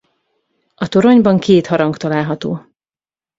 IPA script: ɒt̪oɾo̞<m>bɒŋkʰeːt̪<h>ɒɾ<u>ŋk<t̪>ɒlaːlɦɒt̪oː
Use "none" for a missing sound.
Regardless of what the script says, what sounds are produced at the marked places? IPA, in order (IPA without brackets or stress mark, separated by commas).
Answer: ɲ, h, ɒ, t̪